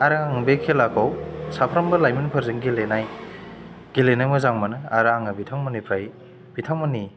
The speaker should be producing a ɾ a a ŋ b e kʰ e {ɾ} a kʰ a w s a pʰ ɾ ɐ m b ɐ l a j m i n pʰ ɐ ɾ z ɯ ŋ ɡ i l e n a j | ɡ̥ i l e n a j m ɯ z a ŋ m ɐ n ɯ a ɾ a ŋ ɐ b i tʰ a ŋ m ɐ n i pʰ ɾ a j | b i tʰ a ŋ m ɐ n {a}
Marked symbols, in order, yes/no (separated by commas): no, no